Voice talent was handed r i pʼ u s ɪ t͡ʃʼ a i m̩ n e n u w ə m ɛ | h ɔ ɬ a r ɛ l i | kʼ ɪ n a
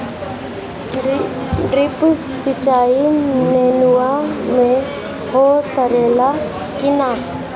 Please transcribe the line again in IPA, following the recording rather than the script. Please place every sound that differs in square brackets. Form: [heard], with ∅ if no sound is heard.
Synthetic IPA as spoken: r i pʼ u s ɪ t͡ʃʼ a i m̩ n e n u w [a] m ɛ | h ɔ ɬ a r ɛ l [a] | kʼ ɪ n a